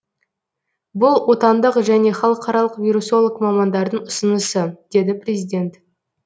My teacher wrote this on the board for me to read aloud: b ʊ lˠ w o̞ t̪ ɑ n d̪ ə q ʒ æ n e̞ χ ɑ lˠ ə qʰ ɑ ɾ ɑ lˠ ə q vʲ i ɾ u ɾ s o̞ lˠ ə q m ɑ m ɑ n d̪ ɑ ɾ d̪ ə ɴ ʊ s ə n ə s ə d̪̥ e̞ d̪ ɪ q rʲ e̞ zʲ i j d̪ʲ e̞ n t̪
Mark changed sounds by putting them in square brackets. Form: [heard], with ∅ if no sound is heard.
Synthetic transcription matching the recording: b ʊ lˠ w o̞ t̪ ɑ n d̪ ə q ʒ æ n e̞ χ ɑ lˠ ə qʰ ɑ ɾ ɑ lˠ ə q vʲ i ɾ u [∅] s o̞ lˠ ə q m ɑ m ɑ n d̪ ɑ ɾ d̪ ə ɴ ʊ s ə n ə s ə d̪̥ e̞ d̪ ɪ [p] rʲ e̞ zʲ i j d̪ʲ e̞ n t̪